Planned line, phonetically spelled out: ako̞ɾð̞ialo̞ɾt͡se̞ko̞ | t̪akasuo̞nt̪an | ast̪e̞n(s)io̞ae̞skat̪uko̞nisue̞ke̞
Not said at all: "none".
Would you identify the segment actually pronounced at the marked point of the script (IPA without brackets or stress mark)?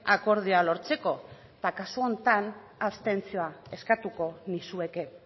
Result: t͡s